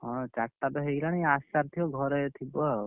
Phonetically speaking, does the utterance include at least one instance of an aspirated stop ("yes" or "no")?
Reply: yes